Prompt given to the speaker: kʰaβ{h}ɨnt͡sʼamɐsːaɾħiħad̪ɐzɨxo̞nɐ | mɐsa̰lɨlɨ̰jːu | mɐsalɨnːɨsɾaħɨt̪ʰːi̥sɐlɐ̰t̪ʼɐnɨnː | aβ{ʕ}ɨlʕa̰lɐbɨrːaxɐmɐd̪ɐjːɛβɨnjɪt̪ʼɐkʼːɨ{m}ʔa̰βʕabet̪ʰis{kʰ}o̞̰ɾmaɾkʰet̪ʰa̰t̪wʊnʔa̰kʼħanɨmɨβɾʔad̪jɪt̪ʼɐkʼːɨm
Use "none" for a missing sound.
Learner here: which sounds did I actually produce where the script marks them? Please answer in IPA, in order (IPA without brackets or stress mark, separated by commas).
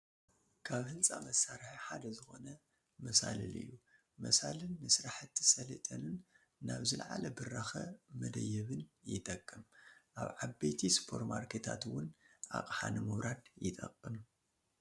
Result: h, z, m, pʰ